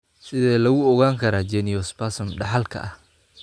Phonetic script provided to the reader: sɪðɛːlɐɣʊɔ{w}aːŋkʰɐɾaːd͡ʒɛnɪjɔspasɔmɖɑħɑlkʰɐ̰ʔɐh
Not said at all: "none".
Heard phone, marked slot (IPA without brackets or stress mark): ɣ